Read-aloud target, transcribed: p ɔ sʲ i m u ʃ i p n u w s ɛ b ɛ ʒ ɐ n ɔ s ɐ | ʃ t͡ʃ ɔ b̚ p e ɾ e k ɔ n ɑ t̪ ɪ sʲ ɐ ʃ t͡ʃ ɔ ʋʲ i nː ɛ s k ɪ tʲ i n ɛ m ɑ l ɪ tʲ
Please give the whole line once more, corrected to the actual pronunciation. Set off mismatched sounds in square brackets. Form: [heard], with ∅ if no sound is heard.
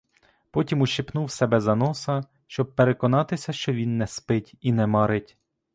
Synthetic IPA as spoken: p ɔ [tʲ] i m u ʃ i p n u w s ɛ b ɛ [z] ɐ n ɔ s ɐ | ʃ t͡ʃ ɔ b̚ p e ɾ e k ɔ n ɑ t̪ ɪ sʲ ɐ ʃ t͡ʃ ɔ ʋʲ i nː ɛ s [p] ɪ tʲ i n ɛ m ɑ [ɾ] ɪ tʲ

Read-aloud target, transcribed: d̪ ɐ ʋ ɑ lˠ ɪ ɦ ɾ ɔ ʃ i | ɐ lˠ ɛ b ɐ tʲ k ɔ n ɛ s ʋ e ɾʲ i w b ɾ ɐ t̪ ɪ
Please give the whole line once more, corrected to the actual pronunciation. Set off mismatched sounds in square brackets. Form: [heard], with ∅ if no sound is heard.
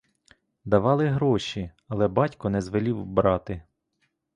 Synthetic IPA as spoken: d̪ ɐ ʋ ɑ lˠ ɪ ɦ ɾ ɔ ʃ i | ɐ lˠ ɛ b [ɑ] tʲ k ɔ n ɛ [z] ʋ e [lʲ] i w b ɾ [ɑ] t̪ ɪ

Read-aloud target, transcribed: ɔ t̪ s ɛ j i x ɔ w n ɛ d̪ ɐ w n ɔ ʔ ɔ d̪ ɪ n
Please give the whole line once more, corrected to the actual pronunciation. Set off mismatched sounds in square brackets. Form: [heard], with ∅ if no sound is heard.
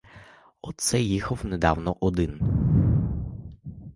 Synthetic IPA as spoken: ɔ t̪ s ɛ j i x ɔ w n ɛ d̪ [a] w n ɔ ʔ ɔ d̪ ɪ n

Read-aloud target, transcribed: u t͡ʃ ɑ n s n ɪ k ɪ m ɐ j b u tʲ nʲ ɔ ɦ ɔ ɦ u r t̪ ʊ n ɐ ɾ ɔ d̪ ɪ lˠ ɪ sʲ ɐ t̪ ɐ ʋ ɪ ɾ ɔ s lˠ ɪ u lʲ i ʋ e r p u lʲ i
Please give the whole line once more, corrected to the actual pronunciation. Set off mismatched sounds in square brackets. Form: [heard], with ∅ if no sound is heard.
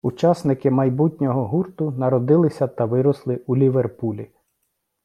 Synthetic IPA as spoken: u t͡ʃ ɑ [∅] s n ɪ k ɪ m ɐ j b u tʲ nʲ ɔ ɦ ɔ ɦ u r t̪ ʊ n ɐ ɾ ɔ d̪ ɪ lˠ ɪ sʲ ɐ t̪ ɐ ʋ ɪ ɾ ɔ s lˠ ɪ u lʲ i ʋ e r p u lʲ i

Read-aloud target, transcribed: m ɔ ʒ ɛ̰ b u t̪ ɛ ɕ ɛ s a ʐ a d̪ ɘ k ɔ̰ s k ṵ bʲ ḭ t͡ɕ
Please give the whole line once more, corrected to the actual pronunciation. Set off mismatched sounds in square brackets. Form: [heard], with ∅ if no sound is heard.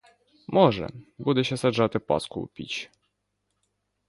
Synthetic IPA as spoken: m ɔ [ʐ] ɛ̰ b u [d̪] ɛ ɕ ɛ s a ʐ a [t̪] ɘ [p] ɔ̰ s k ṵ [pʲ] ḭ t͡ɕ

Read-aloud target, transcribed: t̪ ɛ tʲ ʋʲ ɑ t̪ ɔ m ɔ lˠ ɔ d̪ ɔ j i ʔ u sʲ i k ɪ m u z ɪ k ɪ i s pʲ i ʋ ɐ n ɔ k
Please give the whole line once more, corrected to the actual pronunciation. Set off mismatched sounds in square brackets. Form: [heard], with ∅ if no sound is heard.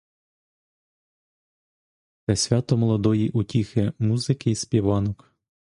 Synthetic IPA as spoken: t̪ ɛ [sʲ] ʋʲ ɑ t̪ ɔ m ɔ lˠ ɔ d̪ ɔ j i ʔ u [tʲ] i [x] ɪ m u z ɪ k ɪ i s pʲ i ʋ [ɑ] n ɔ k

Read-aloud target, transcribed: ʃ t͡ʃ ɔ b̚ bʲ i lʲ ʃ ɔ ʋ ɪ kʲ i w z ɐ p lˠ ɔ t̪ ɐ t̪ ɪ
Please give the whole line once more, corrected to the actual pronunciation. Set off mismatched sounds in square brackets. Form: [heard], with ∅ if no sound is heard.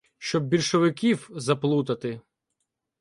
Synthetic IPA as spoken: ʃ t͡ʃ ɔ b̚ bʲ i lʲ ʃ ɔ ʋ ɪ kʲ i w z ɐ p lˠ [u] t̪ ɐ t̪ ɪ

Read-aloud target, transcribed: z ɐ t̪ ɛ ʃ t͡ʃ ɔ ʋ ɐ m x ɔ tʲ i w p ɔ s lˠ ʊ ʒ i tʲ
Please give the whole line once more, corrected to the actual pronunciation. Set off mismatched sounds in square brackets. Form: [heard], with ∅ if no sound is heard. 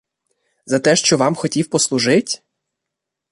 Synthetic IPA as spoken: z ɐ t̪ ɛ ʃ t͡ʃ ɔ ʋ [ɑ] m x ɔ tʲ i w p ɔ s lˠ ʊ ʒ [ɪ] tʲ

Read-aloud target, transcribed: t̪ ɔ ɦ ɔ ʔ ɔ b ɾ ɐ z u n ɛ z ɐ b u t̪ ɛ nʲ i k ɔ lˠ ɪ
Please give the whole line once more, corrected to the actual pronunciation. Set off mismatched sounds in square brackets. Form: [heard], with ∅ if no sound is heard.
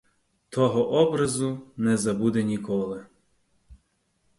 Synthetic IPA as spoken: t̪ ɔ ɦ ɔ ʔ ɔ b ɾ ɐ z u n ɛ z ɐ b u [d̪] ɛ nʲ i k ɔ lˠ ɪ

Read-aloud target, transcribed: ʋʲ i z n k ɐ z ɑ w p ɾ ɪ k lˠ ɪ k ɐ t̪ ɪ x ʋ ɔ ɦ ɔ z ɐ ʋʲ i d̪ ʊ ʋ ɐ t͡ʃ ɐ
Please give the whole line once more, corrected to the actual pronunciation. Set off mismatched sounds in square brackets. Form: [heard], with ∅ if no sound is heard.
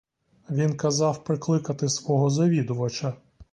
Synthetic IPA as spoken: ʋʲ i [∅] n k ɐ z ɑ w p ɾ ɪ k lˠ ɪ k ɐ t̪ ɪ [s] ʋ ɔ ɦ ɔ z ɐ ʋʲ i d̪ ʊ ʋ ɐ t͡ʃ ɐ

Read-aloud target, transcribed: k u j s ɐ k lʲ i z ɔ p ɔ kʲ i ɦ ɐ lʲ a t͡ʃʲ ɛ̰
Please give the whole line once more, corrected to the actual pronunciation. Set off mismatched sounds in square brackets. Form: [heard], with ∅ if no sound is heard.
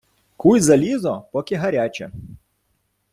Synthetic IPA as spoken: k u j [z] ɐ [∅] lʲ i z ɔ p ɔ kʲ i ɦ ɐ [ɾʲ] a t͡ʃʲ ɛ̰

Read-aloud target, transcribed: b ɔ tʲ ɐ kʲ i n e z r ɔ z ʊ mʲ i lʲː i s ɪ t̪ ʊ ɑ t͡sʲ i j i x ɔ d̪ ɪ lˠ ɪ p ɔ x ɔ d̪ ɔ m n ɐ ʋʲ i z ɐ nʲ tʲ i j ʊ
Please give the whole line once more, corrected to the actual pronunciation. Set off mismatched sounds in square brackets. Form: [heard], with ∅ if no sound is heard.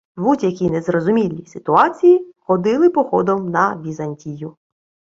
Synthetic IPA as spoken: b [u] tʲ ɐ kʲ i n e z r ɔ z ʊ mʲ i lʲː i s ɪ t̪ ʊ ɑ t͡sʲ i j i x ɔ d̪ ɪ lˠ ɪ p ɔ x ɔ d̪ ɔ m n ɐ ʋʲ i z ɐ nʲ tʲ i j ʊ

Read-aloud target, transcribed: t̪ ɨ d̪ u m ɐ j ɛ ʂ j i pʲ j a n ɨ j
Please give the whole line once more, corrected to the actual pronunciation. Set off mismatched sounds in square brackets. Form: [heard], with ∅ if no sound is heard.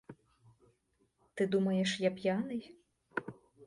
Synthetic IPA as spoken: t̪ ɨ d̪ u m ɐ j ɛ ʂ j [a] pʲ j a n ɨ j

